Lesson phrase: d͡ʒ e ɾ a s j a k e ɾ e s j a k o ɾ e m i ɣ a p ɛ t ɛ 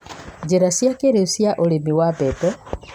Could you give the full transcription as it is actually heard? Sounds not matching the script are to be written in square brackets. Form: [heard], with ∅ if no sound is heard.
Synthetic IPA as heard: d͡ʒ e ɾ a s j a k e ɾ e s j a [ʔ] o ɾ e m i [w] a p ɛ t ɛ